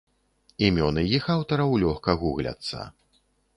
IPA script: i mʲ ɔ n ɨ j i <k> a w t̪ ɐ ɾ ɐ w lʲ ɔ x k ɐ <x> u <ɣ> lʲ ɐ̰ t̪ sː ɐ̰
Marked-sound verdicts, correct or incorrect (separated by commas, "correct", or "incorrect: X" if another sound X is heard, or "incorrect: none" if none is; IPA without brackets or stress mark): incorrect: x, incorrect: ɣ, correct